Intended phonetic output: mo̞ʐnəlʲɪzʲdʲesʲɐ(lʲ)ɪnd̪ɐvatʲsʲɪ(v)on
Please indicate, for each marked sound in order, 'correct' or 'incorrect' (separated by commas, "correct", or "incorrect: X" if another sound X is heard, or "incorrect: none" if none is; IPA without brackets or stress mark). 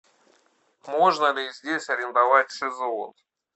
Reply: incorrect: ɾʲ, incorrect: z